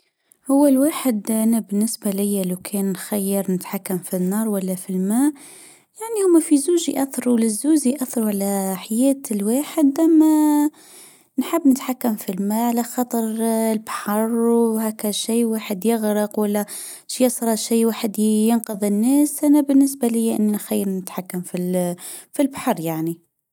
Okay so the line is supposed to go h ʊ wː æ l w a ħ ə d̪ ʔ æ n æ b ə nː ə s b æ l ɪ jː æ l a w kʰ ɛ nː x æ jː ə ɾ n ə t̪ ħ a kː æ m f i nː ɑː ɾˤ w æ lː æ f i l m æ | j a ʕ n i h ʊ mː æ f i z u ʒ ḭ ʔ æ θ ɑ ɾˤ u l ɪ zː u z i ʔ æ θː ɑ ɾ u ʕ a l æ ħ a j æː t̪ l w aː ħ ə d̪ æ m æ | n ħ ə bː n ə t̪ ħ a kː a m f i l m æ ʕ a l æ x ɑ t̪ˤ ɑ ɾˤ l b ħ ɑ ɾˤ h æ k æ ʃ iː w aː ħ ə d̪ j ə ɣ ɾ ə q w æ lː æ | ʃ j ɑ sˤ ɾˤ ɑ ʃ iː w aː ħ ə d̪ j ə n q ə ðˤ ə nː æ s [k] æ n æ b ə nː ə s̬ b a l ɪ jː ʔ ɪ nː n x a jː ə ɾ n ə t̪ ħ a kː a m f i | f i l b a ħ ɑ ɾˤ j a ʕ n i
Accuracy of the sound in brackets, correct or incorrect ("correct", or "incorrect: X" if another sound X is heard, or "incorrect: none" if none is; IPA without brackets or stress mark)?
incorrect: ʔ